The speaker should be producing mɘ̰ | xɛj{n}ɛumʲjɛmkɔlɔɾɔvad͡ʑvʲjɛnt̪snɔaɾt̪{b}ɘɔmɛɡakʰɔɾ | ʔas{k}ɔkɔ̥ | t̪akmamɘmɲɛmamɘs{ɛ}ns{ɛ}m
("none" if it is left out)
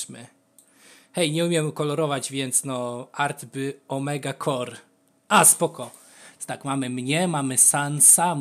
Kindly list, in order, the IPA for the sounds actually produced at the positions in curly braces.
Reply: ɲ, b, p, a, a

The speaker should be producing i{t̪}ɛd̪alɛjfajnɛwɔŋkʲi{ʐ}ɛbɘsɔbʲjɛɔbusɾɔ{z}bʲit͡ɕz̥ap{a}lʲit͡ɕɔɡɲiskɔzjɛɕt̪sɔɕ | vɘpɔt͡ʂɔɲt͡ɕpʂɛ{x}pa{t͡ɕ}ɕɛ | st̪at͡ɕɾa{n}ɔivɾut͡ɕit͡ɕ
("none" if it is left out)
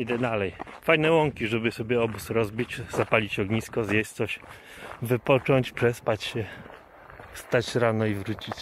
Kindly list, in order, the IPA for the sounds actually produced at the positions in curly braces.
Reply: d̪, ʐ, z, a, s, t͡ɕ, n

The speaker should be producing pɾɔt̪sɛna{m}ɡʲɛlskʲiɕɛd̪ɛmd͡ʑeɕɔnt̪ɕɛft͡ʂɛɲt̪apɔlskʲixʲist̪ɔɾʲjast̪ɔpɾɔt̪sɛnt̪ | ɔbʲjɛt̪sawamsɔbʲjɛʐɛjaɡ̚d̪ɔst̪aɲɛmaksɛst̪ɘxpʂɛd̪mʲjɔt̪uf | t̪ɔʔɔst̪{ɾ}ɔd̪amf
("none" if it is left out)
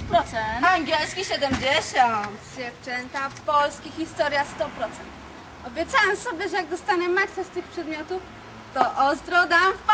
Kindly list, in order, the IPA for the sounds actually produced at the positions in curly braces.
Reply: ŋ, ɾ

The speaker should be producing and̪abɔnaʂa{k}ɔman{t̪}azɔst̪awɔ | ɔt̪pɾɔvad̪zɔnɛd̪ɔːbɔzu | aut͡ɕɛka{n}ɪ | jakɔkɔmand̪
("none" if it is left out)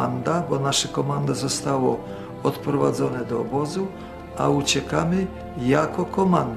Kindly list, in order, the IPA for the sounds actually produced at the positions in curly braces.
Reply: k, d̪, m

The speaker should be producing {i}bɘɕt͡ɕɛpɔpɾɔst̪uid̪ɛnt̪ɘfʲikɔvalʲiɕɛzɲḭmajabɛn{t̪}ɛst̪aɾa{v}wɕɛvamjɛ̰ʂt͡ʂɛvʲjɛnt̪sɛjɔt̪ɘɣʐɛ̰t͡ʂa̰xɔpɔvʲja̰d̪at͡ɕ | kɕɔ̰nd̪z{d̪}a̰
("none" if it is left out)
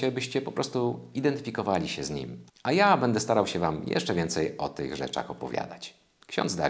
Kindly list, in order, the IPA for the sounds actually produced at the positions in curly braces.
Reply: ɛ, d̪, none, d̪

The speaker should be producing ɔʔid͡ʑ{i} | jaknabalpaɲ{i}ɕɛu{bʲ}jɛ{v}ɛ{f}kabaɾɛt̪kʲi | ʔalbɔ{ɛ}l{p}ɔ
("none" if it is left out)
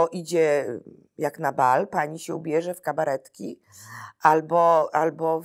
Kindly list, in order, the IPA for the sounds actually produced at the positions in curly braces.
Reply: ɛ, i, bʲ, ʐ, f, a, b

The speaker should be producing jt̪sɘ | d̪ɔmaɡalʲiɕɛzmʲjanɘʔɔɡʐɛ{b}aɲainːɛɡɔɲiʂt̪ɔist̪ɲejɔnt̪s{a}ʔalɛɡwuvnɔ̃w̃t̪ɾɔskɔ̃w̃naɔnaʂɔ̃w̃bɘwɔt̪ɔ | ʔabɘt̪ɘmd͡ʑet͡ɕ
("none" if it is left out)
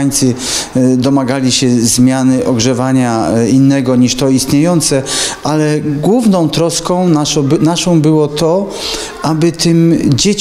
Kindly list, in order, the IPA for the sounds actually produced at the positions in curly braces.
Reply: v, ɛ

